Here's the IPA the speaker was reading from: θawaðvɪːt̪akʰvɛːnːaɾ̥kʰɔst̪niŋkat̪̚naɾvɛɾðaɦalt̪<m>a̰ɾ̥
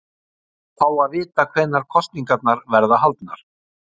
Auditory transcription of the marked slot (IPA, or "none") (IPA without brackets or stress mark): n